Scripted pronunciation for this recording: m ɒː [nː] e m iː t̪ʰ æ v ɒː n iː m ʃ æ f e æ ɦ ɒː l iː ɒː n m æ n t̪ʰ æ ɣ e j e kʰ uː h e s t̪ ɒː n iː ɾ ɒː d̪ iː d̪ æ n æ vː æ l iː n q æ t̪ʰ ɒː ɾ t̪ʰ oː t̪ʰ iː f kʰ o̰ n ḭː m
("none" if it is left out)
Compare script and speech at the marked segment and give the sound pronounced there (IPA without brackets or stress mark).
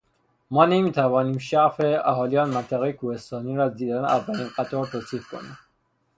n